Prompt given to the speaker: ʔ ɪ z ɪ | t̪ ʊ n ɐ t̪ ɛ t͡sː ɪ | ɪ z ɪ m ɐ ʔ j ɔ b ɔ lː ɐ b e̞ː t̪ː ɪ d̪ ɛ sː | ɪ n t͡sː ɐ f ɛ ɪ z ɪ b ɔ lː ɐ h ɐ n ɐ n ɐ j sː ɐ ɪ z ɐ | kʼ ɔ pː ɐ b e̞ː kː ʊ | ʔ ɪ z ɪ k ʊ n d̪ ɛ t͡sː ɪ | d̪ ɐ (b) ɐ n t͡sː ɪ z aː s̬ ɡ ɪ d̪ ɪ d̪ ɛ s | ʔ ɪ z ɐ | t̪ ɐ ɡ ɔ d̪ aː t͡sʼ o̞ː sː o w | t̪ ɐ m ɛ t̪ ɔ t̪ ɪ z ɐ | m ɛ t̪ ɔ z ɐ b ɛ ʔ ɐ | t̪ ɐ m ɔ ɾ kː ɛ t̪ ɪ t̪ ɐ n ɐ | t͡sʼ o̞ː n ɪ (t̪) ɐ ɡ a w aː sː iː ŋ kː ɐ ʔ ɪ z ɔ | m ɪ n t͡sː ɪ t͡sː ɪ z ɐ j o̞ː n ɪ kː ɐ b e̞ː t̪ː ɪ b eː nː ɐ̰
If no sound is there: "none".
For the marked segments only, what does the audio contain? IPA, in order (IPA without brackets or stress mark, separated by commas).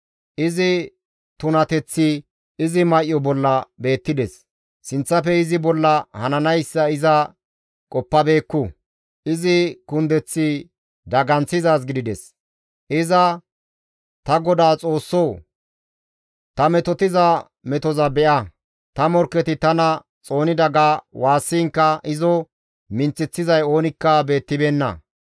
ɡ, d̪